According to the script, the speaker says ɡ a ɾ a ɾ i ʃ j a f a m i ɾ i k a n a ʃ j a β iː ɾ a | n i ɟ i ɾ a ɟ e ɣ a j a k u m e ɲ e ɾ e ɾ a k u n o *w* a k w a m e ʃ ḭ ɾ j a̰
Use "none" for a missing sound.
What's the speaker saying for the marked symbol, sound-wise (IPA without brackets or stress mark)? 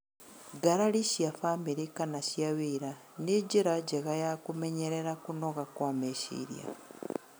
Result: ɣ